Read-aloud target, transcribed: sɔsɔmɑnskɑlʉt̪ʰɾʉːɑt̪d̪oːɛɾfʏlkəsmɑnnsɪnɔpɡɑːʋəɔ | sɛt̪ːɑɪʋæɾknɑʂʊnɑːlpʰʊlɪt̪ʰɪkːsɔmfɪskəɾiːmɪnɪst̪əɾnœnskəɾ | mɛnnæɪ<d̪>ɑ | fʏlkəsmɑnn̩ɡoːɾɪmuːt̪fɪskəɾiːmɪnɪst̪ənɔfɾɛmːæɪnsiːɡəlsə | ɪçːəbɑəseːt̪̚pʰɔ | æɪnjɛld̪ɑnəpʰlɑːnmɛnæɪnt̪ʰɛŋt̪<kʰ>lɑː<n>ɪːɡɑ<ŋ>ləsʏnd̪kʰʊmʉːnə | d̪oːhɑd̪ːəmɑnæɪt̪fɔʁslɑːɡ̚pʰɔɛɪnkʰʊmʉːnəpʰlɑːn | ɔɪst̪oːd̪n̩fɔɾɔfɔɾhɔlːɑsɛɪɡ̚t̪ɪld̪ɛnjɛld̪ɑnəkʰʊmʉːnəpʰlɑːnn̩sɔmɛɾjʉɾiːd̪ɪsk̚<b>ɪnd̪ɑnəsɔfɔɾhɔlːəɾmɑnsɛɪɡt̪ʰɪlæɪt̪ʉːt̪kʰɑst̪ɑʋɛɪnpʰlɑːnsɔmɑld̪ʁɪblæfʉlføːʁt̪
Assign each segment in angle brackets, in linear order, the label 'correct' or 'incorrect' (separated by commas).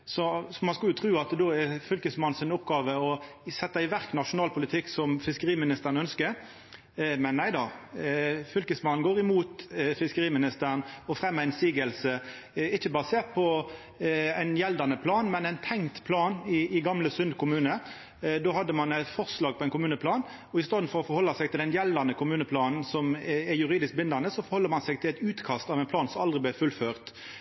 correct, incorrect, correct, incorrect, correct